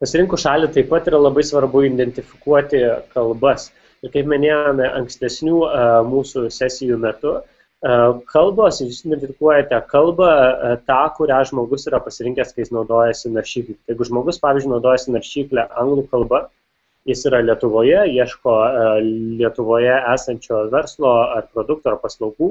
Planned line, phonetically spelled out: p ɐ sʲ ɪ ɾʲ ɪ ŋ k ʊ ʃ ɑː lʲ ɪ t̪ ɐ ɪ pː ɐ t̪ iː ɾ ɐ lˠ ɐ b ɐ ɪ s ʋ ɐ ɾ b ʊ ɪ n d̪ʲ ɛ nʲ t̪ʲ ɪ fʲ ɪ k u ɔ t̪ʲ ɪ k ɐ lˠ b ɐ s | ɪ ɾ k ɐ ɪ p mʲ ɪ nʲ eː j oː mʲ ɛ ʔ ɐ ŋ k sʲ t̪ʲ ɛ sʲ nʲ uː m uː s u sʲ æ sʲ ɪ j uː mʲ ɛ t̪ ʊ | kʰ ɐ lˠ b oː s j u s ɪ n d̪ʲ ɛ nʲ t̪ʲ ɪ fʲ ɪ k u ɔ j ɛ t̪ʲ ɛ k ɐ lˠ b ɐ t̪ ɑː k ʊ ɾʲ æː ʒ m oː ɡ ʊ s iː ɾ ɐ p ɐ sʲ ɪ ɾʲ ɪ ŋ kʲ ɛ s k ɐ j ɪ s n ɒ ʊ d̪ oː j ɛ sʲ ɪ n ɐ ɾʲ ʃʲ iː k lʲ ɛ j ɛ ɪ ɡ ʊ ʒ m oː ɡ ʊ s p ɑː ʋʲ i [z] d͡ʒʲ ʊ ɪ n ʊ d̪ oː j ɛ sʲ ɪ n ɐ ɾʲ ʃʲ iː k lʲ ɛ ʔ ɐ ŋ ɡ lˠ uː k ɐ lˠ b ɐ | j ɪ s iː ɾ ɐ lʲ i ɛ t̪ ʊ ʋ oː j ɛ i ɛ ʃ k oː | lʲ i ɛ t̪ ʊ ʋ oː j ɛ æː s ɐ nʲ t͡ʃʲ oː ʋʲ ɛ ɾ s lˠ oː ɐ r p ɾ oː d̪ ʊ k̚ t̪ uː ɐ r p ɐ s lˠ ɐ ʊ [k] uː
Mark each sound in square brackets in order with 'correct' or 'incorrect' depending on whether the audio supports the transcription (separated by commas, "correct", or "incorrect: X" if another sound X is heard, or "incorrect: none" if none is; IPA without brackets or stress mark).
correct, incorrect: ɡ